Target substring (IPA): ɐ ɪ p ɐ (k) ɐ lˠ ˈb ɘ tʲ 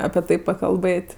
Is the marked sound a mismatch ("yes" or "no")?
no